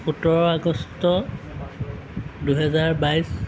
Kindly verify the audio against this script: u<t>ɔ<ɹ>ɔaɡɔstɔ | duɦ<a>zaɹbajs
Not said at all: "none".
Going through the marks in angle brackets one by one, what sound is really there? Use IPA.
t, ɹ, ɛ

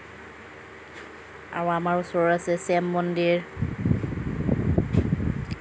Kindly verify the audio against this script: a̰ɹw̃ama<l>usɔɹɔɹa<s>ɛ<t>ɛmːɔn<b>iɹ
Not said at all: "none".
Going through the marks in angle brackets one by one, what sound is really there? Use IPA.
ɹ, s, s, d

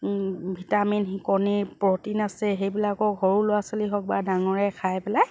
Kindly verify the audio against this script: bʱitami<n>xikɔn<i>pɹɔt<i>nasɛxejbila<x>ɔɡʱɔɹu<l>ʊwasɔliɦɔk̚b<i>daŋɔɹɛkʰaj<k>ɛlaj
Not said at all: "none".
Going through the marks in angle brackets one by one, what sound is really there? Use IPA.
n, i, i, k, l, a, p

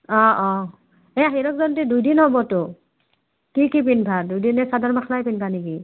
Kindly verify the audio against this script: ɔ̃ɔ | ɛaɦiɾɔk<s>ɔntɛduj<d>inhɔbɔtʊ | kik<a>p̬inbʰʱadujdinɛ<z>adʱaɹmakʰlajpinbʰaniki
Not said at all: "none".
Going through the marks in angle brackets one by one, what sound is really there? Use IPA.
z, d, i, s

